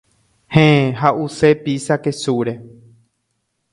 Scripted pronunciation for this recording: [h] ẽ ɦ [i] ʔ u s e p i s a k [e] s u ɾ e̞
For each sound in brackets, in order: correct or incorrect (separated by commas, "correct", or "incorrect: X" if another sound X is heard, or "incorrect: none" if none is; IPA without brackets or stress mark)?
correct, incorrect: a, correct